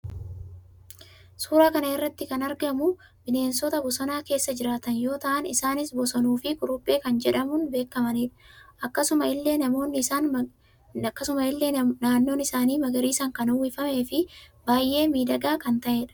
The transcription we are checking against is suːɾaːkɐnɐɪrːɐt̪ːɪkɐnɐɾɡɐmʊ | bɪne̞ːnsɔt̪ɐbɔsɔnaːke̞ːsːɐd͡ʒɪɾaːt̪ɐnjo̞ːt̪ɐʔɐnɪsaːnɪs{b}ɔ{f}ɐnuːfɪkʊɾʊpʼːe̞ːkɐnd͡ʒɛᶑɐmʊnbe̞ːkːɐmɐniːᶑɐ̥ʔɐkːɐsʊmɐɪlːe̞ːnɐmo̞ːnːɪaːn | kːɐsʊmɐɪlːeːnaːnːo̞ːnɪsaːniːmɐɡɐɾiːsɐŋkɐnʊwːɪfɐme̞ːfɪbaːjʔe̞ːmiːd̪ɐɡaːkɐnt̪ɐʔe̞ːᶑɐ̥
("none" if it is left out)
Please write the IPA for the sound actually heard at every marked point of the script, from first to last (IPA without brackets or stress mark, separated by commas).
b, s